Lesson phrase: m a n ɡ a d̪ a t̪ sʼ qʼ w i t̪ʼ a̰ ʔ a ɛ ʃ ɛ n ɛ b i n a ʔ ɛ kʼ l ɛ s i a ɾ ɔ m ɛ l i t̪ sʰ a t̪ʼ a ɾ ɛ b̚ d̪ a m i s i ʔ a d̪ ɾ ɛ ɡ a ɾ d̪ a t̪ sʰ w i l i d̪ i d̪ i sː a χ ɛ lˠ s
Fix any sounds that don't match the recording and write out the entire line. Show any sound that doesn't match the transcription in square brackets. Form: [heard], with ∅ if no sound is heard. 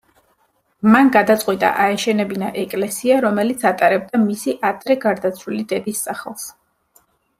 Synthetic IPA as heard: m a n ɡ a d̪ a t̪ sʼ qʼ w i t̪ʼ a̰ ʔ a ɛ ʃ ɛ n ɛ b i n a ʔ ɛ kʼ l ɛ s i a ɾ ɔ m ɛ l i t̪ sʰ a t̪ʼ a ɾ ɛ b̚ d̪ a m i s i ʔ a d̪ ɾ ɛ ɡ a ɾ d̪ a t̪ sʰ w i l i d̪ [ɛ] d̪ i sː a χ ɛ lˠ s

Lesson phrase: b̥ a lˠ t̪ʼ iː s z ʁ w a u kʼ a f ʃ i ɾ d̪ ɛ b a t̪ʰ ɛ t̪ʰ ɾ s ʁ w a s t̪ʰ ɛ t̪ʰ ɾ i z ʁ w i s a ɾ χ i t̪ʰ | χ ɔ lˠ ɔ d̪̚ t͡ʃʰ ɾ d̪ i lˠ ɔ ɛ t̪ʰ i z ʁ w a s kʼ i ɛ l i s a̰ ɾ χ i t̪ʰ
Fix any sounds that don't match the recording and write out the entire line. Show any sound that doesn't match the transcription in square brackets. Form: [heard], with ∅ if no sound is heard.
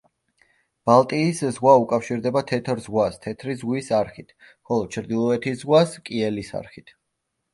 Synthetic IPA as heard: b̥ a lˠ t̪ʼ iː s z ʁ w a u kʼ a f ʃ i ɾ d̪ ɛ b a t̪ʰ ɛ t̪ʰ ɾ [z] ʁ w a s t̪ʰ ɛ t̪ʰ ɾ i z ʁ w i s a ɾ χ i t̪ʰ | χ ɔ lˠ ɔ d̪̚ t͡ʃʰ ɾ d̪ i lˠ ɔ ɛ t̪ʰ i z ʁ w a s kʼ i ɛ l i s a̰ ɾ χ i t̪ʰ

